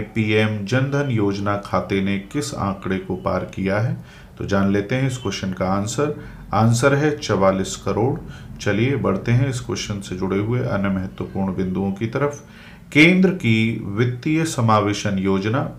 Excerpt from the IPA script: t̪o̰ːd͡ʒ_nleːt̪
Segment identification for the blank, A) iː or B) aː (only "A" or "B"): B